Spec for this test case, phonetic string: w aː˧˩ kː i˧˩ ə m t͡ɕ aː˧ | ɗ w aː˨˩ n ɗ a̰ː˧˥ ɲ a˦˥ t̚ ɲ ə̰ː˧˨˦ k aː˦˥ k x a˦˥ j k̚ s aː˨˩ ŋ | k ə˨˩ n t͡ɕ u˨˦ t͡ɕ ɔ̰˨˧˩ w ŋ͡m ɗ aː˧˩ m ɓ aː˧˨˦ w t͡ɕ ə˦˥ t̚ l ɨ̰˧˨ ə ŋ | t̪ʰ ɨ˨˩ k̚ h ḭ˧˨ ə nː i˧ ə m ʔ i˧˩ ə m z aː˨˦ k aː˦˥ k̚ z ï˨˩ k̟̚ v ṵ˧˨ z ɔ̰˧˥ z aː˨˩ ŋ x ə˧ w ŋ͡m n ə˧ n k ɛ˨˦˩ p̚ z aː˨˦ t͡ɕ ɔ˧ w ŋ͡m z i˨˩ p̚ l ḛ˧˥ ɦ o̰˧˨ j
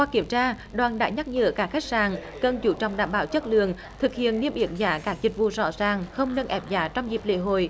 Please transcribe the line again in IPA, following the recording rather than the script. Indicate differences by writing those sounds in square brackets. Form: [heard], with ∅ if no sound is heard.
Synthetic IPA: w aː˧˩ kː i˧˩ ə m t͡ɕ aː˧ | ɗ w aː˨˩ n ɗ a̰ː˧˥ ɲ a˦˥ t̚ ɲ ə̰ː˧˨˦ k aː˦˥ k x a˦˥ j k̚ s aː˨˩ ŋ | k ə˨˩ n t͡ɕ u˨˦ t͡ɕ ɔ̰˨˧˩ w ŋ͡m ɗ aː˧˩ m ɓ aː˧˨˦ w t͡ɕ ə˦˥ t̚ l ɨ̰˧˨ ə ŋ | t̪ʰ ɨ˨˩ k̚ h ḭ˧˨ ə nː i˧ ə m ʔ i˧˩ ə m z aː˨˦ k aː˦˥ k̚ z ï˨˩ k̟̚ v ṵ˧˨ z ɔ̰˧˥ z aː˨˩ ŋ x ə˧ w ŋ͡m n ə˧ n [ʔ] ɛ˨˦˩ p̚ z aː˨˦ t͡ɕ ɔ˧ w ŋ͡m z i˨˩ p̚ l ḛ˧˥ ɦ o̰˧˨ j